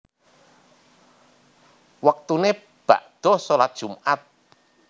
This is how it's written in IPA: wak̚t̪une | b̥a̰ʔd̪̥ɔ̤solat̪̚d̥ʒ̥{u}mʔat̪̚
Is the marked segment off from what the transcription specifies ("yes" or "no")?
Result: no